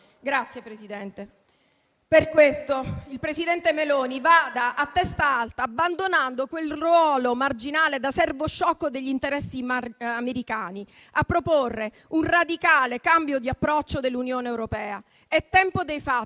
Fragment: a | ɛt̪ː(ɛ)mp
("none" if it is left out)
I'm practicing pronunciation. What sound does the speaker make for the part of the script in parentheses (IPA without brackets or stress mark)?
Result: ɛ